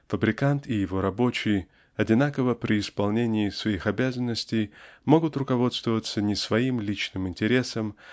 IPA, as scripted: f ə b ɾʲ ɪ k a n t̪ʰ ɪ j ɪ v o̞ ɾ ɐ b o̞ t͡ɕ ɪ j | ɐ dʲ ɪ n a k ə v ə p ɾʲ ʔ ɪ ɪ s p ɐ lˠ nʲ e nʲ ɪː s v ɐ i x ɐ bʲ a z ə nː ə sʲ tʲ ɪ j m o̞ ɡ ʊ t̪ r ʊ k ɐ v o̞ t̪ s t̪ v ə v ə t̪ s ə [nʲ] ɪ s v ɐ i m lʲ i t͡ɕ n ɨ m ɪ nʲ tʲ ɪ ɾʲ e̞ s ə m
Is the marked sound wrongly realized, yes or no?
no